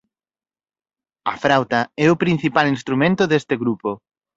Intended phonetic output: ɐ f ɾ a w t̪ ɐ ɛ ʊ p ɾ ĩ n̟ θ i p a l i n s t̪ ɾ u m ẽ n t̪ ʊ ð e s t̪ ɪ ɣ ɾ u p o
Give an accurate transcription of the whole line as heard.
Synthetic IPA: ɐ f ɾ a w t̪ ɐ ɛ ʊ p ɾ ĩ n̟ θ i p a l i n s t̪ ɾ u m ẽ n t̪ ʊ ð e s t̪ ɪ ɣ ɾ u p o

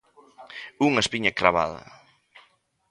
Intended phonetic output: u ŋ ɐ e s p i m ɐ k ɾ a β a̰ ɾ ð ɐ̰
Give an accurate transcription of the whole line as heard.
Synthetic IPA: u ŋ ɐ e s p i ɲ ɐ k ɾ a β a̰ ð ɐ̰

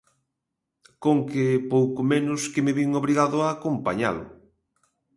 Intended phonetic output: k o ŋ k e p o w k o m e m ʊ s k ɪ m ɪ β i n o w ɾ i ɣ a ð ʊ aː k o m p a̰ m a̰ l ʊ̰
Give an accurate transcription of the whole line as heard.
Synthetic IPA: k o ŋ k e p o w k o m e n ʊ s k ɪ m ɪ β i ŋ o β ɾ i ɣ a ð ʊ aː k o m p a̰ ɲ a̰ l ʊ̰

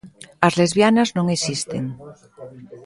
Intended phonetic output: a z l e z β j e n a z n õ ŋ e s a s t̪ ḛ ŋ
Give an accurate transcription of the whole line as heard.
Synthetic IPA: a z l e z β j a n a z n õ ŋ e s i s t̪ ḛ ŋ

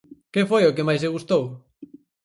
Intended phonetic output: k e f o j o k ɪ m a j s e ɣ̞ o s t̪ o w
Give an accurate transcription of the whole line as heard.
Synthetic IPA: k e f o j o k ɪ m a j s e ɣ̞ u s t̪ o w

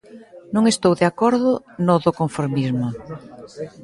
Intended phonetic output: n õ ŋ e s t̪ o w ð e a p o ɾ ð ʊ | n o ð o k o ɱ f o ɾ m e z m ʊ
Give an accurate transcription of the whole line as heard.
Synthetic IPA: n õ ŋ e s t̪ o w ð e a k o ɾ ð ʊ | n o ð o k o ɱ f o ɾ m i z m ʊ

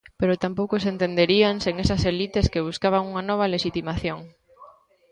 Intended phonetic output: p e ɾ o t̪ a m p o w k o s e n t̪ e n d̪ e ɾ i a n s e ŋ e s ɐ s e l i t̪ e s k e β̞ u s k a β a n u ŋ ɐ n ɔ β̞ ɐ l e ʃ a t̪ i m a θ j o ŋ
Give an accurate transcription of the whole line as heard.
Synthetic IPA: p e ɾ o t̪ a m p o w k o s e n t̪ e n d̪ e ɾ i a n s e ŋ e s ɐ s e l i t̪ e s k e β̞ u s k a β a ŋ u ŋ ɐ n ɔ β̞ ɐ l e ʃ i t̪ i m a θ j o ŋ

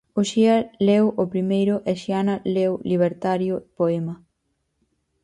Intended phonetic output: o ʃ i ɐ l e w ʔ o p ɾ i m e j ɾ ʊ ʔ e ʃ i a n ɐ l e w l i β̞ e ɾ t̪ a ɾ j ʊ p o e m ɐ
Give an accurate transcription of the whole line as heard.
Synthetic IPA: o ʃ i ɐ l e w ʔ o p ɾ i m e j ɾ ʊ ʔ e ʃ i a n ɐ l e w l i β̞ e ɾ t̪ a ɾ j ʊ p o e m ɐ

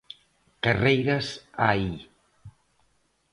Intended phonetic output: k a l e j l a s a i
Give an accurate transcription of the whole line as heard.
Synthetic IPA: k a r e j ɾ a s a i

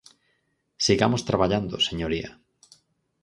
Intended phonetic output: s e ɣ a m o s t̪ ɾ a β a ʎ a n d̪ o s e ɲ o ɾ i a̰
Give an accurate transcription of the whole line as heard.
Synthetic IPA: s i ɣ a m o s t̪ ɾ a β a ʎ a n d̪ o s e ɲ o ɾ i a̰

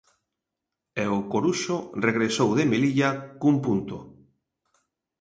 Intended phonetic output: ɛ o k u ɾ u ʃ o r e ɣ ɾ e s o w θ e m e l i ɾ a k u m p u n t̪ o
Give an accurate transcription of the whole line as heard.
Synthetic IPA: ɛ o k o ɾ u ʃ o r e ɣ ɾ e s o w ð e m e l i ʎ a k u m p u n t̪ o

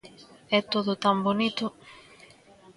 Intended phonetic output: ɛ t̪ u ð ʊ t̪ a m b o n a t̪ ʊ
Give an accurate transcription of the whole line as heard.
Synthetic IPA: ɛ t̪ o ð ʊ t̪ a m b o n i t̪ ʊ

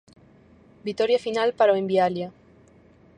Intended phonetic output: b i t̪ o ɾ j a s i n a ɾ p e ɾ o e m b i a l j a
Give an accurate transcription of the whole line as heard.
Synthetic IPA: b i t̪ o ɾ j a f i n a l p a ɾ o e m b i a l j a

